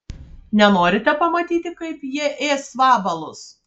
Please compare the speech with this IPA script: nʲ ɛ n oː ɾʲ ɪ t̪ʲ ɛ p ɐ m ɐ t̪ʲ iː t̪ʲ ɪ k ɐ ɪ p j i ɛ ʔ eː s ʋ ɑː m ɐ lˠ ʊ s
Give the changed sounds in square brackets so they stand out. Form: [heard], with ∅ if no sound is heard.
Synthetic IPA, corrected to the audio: nʲ ɛ n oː ɾʲ ɪ t̪ʲ ɛ p ɐ m ɐ t̪ʲ iː t̪ʲ ɪ k ɐ ɪ p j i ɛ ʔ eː s ʋ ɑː [b] ɐ lˠ ʊ s